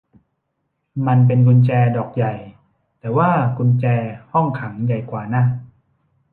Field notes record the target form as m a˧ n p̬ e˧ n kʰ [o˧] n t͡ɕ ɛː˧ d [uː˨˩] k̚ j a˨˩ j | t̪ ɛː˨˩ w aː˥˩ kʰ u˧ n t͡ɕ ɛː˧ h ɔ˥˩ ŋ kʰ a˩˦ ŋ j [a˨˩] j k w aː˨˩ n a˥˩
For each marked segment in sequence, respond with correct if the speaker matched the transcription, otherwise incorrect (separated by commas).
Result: incorrect, incorrect, correct